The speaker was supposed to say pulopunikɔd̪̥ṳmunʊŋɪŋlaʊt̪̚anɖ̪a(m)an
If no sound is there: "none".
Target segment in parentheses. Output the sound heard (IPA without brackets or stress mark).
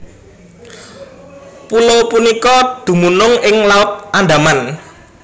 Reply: m